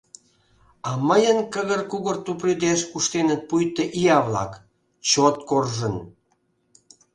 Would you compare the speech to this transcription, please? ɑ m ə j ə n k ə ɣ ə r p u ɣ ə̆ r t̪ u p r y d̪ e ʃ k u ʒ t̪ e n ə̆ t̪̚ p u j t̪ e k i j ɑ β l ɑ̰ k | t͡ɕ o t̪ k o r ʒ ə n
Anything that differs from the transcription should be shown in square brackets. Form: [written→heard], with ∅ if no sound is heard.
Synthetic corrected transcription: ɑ m ə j ə n k ə ɣ ə r [p→k] u ɣ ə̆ r t̪ u p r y d̪ e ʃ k u [ʒ→ʃ] t̪ e n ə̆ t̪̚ p u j t̪ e [k→ʔ] i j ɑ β l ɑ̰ k | t͡ɕ o t̪ k o r ʒ ə n